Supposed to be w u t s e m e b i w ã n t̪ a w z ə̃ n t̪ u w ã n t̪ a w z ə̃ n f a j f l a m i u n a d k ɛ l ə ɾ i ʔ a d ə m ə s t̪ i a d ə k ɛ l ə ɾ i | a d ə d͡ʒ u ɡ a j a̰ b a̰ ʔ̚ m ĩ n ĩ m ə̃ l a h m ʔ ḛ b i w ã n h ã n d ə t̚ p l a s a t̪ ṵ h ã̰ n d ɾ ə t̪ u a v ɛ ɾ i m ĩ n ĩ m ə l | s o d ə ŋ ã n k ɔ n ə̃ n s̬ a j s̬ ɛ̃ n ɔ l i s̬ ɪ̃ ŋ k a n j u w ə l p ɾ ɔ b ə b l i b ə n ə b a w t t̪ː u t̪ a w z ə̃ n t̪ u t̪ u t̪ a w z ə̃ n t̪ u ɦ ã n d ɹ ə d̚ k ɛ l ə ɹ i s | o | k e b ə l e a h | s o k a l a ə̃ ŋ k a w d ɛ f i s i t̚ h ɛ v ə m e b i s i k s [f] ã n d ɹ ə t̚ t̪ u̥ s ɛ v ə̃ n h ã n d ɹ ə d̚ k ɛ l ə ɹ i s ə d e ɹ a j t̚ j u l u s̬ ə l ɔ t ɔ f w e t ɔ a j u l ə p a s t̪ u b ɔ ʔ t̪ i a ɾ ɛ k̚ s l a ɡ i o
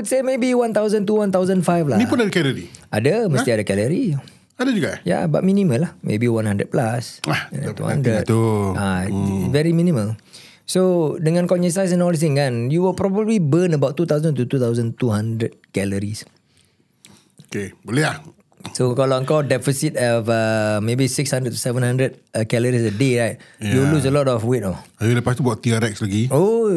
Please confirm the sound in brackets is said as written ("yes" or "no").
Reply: no